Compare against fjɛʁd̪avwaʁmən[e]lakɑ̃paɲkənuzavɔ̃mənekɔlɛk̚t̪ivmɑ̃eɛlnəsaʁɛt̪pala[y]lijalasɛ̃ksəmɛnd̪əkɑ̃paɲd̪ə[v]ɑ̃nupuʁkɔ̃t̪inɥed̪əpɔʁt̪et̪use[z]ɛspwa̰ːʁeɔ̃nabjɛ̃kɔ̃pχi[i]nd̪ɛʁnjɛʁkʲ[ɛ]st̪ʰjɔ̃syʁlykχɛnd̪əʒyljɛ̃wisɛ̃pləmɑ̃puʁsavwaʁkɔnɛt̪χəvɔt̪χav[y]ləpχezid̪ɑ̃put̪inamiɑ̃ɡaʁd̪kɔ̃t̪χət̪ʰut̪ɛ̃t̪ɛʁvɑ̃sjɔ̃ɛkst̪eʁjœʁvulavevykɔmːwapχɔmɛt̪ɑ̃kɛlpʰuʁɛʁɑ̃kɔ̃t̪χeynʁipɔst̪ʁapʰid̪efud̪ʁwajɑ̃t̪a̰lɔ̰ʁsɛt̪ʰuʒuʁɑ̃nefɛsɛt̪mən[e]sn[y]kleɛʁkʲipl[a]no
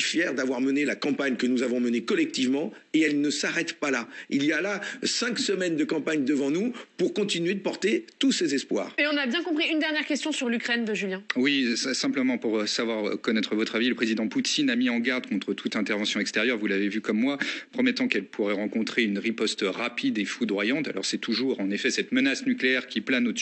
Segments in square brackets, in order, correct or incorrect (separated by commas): correct, incorrect, correct, correct, incorrect, correct, incorrect, incorrect, correct, correct